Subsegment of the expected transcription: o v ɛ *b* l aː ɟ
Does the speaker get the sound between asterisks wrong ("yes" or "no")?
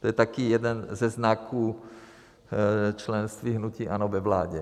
yes